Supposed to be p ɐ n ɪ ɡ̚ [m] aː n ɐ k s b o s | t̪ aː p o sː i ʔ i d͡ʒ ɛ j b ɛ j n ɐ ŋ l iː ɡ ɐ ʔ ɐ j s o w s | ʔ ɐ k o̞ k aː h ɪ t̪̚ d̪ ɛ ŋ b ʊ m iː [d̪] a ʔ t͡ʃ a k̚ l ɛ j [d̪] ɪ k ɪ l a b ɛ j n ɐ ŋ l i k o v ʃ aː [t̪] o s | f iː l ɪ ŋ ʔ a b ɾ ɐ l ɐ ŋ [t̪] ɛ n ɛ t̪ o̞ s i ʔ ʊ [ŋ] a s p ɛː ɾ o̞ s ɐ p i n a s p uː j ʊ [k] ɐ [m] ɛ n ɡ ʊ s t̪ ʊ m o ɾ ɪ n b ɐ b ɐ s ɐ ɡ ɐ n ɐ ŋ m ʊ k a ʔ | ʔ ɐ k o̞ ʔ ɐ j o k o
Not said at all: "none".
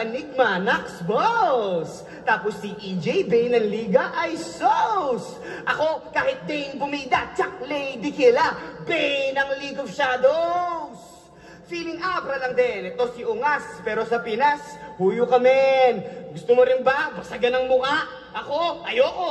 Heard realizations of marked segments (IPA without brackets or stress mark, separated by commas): m, d̪, d̪, d̪, d̪, ŋ, k, m